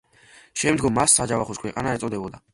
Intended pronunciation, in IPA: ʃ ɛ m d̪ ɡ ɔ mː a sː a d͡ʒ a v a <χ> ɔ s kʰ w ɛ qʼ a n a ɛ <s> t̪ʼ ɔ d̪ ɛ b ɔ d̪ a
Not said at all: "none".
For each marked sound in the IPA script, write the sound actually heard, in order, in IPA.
χ, none

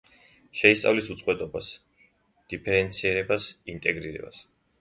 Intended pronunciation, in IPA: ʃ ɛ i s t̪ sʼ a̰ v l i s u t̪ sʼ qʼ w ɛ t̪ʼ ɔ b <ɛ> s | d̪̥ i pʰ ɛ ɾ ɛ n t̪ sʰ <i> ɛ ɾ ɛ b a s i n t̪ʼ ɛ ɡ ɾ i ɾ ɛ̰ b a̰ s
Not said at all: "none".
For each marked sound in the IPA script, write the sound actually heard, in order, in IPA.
a, i

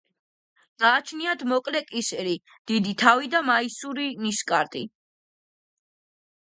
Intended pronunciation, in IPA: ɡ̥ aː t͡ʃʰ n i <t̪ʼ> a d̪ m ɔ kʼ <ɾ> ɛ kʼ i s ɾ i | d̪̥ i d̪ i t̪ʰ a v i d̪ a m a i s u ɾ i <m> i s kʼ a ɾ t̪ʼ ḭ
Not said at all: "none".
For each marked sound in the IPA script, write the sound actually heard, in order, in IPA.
none, l, n

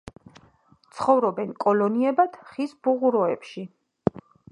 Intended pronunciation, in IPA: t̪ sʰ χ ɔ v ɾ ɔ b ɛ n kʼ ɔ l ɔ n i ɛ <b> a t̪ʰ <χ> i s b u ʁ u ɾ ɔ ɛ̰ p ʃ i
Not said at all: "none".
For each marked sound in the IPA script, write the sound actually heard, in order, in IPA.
b, χ

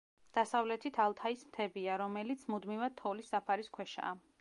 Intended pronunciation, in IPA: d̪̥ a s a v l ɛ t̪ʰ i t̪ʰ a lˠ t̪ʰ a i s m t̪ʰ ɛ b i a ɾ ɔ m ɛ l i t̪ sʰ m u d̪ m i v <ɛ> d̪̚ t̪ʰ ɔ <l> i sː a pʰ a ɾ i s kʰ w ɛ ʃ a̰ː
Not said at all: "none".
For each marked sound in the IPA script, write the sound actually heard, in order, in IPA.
a, l

